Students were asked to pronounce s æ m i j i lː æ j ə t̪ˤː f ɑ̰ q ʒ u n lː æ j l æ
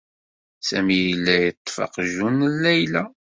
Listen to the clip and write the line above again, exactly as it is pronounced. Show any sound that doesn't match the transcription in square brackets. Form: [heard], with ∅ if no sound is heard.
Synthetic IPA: s æ m i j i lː æ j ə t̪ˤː f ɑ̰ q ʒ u n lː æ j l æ